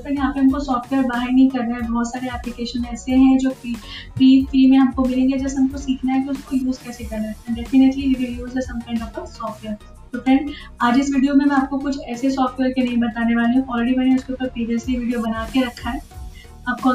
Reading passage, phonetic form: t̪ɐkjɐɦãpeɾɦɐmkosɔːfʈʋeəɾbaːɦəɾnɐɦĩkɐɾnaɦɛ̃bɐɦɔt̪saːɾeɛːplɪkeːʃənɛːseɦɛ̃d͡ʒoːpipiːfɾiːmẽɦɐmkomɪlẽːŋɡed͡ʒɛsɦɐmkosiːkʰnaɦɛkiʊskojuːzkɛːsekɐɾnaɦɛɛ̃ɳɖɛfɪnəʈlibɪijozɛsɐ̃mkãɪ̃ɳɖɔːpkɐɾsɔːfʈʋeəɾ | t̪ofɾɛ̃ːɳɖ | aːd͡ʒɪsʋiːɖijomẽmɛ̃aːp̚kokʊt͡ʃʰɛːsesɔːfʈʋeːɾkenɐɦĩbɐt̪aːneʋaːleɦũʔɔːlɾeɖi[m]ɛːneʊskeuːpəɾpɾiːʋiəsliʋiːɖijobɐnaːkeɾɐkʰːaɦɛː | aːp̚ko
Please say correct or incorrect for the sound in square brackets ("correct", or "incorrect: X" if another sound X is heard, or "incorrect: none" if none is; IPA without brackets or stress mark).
correct